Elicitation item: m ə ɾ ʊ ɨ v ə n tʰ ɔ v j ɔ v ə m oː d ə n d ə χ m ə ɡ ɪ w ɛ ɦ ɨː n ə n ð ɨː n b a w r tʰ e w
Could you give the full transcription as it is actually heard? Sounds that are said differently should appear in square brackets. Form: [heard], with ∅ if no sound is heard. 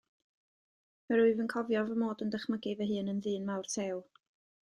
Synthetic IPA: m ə ɾ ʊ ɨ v ə n [kʰ] ɔ v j ɔ v ə m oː d ə n d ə χ m ə ɡ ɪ [v] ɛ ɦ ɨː n ə n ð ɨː n [m] a w r tʰ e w